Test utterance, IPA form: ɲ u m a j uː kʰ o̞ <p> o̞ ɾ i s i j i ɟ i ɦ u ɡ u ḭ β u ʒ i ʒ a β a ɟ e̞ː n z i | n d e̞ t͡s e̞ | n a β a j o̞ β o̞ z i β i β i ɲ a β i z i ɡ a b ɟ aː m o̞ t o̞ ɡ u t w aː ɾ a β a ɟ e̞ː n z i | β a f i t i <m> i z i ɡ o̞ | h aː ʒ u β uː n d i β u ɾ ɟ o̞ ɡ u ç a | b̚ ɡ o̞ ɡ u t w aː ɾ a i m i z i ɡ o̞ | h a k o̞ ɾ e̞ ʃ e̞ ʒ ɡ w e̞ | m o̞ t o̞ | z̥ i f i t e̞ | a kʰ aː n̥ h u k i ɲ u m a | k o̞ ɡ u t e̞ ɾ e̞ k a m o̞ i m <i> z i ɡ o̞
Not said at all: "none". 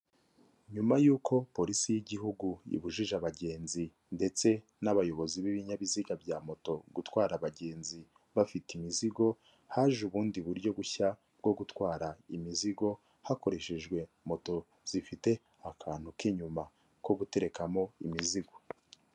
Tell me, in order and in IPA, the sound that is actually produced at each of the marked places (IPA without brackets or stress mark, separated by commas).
p, m, i